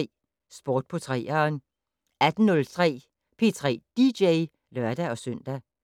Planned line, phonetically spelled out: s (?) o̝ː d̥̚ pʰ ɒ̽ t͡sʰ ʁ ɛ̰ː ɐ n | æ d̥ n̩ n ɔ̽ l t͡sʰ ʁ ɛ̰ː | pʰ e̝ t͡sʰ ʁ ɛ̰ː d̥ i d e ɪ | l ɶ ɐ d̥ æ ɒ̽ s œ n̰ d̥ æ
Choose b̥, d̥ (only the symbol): b̥